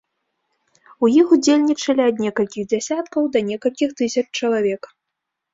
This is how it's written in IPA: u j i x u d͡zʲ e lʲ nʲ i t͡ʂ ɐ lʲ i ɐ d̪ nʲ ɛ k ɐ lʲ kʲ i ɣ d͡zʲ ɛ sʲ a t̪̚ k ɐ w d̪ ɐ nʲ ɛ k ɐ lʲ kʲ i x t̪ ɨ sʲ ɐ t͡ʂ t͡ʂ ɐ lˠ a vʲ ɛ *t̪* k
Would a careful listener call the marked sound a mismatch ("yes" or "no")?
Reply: yes